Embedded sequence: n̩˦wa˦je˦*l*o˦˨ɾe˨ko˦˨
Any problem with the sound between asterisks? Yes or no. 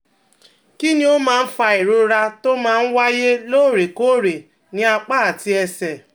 no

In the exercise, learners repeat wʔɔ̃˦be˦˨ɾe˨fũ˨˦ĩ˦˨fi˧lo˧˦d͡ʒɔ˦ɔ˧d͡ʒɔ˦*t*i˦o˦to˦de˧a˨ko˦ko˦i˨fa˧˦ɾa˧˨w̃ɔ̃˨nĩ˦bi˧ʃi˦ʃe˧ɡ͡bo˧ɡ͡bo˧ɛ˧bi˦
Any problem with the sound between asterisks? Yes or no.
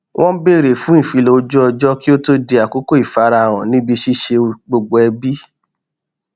yes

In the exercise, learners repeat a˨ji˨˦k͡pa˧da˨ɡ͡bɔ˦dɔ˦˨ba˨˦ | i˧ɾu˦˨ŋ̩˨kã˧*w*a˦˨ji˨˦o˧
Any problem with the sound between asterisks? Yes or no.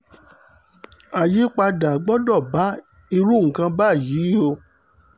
yes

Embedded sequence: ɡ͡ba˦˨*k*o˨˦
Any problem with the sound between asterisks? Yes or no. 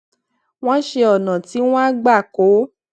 no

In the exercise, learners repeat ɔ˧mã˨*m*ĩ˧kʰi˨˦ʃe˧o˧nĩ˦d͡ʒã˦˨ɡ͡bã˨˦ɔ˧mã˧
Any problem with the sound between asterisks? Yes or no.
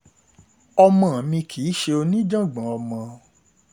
no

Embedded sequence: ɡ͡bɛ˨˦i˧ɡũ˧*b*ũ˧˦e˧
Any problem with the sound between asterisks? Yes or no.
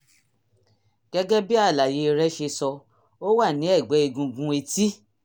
yes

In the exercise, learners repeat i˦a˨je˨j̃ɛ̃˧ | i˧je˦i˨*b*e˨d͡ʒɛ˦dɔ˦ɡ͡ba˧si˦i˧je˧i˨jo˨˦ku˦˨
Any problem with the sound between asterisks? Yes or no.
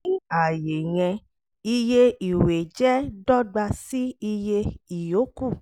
yes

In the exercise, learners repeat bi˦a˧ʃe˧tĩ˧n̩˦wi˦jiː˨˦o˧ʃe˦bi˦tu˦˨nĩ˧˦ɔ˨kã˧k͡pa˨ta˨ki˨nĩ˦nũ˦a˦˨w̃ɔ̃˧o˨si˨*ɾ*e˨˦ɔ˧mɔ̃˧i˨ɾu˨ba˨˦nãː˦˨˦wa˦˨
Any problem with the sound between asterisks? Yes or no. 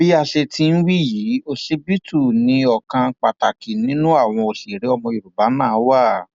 no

